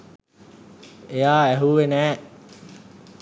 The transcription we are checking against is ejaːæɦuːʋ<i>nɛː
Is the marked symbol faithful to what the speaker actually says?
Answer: no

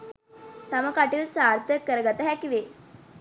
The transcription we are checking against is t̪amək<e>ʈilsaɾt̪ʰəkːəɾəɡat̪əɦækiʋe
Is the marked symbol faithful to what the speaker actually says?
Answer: no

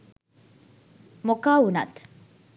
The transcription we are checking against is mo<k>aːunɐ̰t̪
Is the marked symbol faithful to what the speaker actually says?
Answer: yes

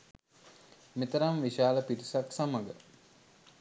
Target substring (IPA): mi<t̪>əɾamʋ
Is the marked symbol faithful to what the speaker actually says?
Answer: yes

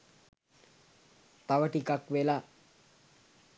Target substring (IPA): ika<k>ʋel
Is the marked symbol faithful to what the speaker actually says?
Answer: yes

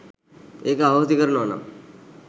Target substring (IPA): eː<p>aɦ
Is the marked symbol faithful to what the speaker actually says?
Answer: no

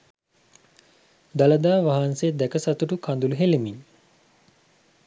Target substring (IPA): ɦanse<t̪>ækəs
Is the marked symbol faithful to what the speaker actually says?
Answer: no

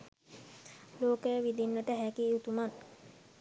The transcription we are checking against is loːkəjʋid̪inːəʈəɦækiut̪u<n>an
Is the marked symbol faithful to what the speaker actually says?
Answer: no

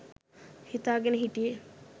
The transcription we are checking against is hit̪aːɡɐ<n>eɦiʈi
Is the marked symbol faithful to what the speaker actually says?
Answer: yes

